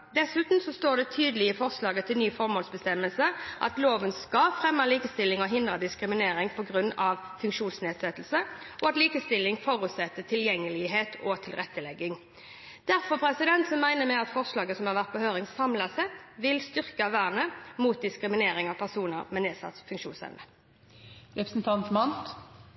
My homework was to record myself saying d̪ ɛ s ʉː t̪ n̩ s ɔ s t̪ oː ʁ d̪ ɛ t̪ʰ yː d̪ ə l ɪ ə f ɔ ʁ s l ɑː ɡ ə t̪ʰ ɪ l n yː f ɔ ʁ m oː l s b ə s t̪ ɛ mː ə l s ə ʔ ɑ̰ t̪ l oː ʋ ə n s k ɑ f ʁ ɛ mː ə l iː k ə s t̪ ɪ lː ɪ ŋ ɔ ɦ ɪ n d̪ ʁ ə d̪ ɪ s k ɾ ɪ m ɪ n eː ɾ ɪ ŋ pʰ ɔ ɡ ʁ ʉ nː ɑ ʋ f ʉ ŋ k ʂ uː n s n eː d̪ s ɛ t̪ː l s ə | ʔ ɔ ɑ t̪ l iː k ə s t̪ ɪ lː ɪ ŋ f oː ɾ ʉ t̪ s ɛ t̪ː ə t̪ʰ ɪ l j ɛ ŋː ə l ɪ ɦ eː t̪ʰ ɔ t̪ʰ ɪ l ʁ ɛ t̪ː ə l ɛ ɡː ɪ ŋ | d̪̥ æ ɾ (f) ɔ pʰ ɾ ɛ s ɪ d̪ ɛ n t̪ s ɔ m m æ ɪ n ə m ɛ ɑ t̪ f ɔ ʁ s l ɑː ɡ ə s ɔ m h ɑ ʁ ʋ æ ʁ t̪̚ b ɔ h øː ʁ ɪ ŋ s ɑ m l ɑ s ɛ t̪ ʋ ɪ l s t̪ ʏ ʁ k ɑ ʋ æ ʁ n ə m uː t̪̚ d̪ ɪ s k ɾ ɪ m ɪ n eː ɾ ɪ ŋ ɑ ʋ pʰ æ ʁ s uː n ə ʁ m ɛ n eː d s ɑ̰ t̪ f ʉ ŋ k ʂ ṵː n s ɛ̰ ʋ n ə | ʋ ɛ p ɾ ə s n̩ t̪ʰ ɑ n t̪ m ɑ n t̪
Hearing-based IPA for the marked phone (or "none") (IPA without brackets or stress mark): f